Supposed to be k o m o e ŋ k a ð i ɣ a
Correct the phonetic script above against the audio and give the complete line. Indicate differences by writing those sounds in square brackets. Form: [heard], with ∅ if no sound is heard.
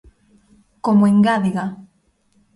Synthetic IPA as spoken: k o m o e ŋ [ɡ] a ð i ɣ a

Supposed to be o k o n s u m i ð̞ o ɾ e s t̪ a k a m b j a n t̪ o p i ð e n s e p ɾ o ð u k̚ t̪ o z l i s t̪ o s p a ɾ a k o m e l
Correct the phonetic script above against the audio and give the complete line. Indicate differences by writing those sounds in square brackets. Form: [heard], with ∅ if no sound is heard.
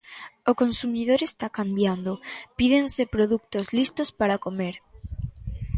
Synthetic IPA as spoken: o k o n s u m i ð̞ o ɾ e s t̪ a k a m b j a n [d̪] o p i ð e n s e p ɾ o ð u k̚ t̪ o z l i s t̪ o s p a ɾ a k o m e [ɾ]

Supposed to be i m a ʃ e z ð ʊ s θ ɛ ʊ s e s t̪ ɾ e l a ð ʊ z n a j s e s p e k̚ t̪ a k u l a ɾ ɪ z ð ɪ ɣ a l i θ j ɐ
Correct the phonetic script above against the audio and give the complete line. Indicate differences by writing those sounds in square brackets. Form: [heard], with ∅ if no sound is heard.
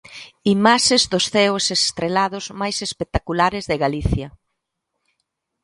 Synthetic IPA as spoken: i m a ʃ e z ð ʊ s θ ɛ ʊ s e s t̪ ɾ e l a ð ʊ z [m] a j s e s p e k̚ t̪ a k u l a ɾ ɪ z ð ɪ ɣ a l i θ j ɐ

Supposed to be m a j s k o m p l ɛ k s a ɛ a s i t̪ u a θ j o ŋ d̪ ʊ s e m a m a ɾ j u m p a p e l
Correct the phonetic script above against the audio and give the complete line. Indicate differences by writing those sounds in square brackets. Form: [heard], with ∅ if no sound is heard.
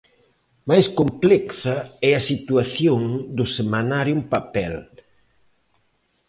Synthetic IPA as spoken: m a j s k o m p l ɛ k s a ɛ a s i t̪ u a θ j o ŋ d̪ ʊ s e m a [n] a ɾ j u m p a p [ɛ] l

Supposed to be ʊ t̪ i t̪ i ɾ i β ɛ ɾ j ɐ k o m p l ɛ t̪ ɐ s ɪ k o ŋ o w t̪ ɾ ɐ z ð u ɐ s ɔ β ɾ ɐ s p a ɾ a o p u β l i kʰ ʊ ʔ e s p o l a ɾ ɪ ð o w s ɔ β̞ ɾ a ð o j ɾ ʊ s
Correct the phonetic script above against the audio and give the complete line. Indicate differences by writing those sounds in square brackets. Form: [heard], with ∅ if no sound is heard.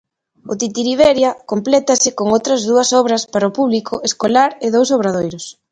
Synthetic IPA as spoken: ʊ t̪ i t̪ i ɾ i β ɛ ɾ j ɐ k o m p l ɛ t̪ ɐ s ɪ k o ŋ o w t̪ ɾ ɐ z ð u ɐ s ɔ β ɾ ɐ s p a ɾ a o p u β l i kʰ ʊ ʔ e s [k] o l a ɾ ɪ ð o w s [o] β̞ ɾ a ð o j ɾ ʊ s

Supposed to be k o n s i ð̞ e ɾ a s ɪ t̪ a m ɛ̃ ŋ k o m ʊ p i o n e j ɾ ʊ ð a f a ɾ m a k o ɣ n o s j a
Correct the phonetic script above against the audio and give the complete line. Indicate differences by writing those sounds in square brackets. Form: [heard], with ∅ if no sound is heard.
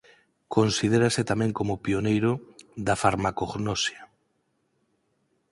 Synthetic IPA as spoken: k o n s i ð̞ e ɾ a s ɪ t̪ a m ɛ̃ ŋ k o m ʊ p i o n e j ɾ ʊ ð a f a ɾ m a k o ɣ n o s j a

